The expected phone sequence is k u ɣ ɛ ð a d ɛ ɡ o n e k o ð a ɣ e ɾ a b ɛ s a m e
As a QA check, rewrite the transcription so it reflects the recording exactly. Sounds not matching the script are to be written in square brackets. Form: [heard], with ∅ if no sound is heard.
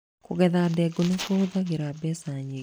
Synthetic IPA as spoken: k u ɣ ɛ ð a d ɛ ɡ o n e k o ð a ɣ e ɾ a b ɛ s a [ɲ] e